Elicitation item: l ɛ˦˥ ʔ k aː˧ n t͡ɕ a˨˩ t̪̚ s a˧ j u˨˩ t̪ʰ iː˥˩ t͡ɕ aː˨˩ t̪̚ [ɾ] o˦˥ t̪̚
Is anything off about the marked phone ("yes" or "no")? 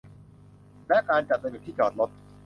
yes